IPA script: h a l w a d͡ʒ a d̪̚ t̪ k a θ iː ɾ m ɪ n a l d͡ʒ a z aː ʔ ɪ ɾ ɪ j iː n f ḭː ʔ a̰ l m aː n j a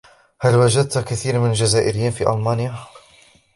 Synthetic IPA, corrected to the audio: h a l w a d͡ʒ a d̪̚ t̪ k a θ iː ɾ m ɪ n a l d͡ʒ a z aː ʔ ɪ ɾ ɪ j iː n f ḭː ʔ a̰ l m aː n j a